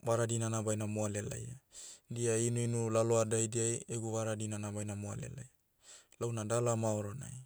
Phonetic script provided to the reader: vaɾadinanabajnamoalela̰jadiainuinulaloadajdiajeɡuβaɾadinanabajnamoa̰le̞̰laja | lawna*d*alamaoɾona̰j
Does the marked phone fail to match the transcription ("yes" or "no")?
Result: no